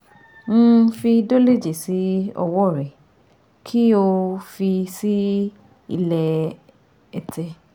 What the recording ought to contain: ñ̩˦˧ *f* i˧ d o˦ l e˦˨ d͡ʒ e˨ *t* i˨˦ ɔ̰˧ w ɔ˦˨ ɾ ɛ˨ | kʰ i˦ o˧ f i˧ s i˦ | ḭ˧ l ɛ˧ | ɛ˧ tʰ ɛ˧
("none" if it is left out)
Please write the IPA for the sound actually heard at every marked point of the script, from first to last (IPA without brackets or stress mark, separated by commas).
f, s